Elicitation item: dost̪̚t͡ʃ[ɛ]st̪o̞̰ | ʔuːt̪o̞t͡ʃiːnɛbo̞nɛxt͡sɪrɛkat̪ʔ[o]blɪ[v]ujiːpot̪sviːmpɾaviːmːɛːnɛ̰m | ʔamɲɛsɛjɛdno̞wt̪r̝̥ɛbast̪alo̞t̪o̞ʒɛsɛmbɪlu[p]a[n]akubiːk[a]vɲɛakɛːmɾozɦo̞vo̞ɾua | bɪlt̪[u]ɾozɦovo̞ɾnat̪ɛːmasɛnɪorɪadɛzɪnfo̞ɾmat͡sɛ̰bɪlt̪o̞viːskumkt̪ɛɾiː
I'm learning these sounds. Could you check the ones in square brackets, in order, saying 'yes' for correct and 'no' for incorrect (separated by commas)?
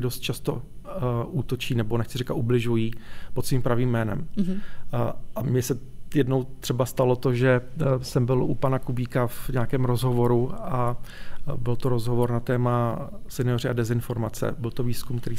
no, no, no, yes, yes, yes, no